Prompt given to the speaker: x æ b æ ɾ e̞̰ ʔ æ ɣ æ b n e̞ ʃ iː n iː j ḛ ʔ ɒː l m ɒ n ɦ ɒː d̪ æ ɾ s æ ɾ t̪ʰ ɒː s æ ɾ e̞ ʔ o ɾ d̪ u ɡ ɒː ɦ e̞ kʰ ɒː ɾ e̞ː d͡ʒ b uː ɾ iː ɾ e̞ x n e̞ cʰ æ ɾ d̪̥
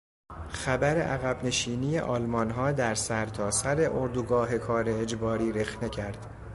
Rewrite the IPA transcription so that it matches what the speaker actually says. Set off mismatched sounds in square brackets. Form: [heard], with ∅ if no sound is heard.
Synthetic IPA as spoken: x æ b æ ɾ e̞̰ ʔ æ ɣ æ b n e̞ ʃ iː n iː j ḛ ʔ ɒː l m ɒ n ɦ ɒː d̪ æ ɾ s æ ɾ t̪ʰ ɒː s æ ɾ e̞ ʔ o ɾ d̪ u ɡ ɒː ɦ e̞ kʰ ɒː ɾ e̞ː d͡ʒ b [ɒː] ɾ iː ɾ e̞ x n e̞ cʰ æ ɾ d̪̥